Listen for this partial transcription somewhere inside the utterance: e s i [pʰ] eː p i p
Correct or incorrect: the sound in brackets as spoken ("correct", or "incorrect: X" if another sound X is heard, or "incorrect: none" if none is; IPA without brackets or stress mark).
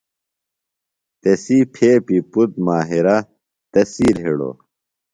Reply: correct